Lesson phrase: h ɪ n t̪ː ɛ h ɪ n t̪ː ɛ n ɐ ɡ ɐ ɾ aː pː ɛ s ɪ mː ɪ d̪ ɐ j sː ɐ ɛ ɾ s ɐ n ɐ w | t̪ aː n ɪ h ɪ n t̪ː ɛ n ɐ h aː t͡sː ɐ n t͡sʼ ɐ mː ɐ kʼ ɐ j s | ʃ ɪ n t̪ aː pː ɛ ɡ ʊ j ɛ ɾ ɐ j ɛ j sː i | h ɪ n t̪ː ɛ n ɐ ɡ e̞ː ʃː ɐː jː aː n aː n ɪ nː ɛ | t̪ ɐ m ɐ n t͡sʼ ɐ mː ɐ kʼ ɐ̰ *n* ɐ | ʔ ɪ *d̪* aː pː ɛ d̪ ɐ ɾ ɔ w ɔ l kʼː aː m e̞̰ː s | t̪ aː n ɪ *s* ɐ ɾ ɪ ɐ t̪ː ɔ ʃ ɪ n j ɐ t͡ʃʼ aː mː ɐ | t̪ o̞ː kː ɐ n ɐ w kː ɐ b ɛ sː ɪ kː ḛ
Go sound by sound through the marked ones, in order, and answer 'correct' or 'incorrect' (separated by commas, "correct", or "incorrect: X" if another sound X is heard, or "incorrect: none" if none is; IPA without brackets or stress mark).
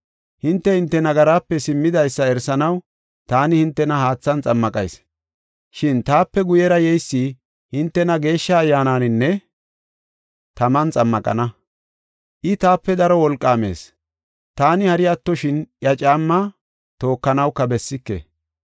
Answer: correct, incorrect: t̪, incorrect: h